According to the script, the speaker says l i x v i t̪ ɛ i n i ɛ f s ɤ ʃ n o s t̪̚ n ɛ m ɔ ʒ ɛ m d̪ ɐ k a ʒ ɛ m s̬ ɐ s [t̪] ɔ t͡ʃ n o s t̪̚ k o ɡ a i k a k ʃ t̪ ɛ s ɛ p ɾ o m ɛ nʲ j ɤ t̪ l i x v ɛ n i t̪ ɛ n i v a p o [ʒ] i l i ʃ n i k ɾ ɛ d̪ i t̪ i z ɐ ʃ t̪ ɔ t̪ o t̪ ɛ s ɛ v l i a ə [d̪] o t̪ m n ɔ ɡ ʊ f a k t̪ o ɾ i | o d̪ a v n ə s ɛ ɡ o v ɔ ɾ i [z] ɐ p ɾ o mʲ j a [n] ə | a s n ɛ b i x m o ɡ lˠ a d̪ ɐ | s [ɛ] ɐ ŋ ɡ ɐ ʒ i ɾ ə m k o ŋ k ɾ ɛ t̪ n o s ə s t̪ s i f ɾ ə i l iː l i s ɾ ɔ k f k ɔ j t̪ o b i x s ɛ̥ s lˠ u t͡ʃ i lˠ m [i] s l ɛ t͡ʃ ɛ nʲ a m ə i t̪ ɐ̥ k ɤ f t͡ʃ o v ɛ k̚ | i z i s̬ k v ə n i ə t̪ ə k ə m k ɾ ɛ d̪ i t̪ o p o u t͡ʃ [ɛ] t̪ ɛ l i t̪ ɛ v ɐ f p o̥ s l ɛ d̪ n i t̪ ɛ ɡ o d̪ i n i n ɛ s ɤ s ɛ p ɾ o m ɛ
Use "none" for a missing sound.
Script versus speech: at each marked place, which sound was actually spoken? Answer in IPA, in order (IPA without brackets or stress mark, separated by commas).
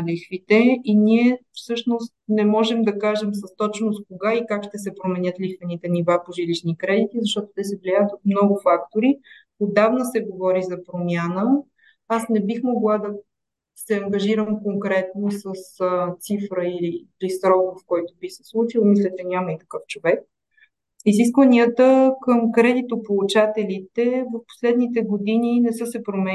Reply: t̪, ʒ, t̪, z, n, ɛ, i, a